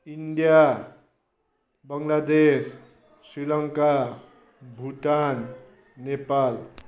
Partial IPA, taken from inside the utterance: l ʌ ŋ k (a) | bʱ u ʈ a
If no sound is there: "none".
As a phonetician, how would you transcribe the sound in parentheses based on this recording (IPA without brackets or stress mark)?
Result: a